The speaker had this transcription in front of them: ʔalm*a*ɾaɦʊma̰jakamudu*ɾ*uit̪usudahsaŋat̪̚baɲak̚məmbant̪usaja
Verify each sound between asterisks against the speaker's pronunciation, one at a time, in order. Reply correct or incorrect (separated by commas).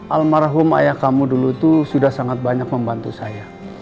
correct, incorrect